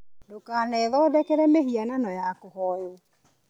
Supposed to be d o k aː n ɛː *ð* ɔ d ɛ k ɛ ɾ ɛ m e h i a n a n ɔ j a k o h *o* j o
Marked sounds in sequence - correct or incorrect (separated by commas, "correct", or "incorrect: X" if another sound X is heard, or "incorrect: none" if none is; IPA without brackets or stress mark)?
correct, incorrect: ɔ